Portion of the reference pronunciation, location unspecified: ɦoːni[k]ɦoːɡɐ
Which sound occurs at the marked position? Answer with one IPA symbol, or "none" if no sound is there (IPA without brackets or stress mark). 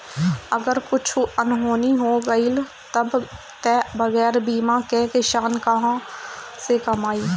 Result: none